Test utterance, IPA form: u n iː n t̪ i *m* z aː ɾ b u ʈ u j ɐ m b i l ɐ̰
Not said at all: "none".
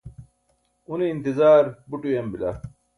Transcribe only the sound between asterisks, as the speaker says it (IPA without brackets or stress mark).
none